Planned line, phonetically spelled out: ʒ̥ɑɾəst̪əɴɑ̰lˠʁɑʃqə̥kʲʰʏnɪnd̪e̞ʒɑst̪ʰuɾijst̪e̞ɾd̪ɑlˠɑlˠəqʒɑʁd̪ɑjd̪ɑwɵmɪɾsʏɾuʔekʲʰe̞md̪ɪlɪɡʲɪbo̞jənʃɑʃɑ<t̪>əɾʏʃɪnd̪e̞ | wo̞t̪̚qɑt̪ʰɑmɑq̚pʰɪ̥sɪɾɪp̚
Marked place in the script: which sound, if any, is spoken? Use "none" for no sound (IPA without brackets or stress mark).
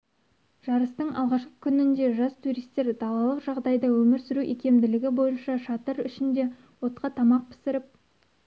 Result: t̪